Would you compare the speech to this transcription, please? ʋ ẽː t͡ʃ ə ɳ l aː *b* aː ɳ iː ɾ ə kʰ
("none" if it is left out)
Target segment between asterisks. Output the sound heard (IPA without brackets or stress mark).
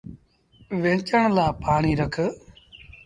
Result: p